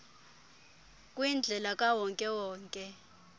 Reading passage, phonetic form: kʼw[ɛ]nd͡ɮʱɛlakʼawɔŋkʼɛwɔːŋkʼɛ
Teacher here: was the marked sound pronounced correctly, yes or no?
no